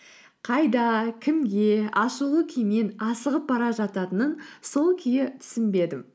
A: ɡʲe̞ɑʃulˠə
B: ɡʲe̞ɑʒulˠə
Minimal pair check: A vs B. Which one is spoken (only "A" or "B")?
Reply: A